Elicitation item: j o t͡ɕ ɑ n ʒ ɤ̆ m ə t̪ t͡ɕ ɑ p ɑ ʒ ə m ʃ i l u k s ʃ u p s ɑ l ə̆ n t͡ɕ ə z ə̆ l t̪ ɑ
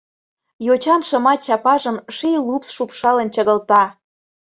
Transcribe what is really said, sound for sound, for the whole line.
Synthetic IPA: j o t͡ɕ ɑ n ʃ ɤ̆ m ɑ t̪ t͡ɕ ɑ p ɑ ʒ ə m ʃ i l u p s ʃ u p ʃ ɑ l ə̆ n t͡ɕ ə ɣ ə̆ l t̪ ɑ